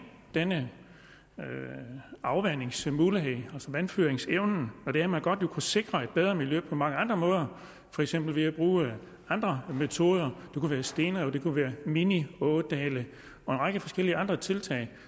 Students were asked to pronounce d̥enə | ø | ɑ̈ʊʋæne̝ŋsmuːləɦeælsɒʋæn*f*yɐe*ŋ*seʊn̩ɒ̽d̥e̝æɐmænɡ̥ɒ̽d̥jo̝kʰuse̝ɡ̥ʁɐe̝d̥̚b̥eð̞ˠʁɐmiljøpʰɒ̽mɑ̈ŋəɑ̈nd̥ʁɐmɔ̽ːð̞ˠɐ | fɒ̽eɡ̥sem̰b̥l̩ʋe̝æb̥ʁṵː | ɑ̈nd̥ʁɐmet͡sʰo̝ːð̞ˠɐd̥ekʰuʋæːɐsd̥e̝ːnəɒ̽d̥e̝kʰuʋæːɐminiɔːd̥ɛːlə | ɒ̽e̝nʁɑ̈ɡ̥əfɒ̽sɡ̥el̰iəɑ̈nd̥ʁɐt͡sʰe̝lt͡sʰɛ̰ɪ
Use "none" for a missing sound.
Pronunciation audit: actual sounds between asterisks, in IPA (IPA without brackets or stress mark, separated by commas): f, ŋ